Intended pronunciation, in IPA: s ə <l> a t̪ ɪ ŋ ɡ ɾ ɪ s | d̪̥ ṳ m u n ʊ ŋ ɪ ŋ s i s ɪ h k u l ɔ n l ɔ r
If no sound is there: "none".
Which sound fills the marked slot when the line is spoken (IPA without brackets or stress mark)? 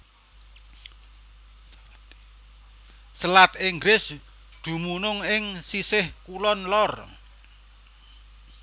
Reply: l